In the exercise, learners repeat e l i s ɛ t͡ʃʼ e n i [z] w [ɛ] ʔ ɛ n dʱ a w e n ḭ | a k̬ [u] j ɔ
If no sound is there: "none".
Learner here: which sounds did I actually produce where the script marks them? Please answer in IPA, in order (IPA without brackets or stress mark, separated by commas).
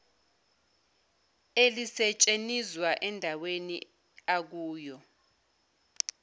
z, a, uː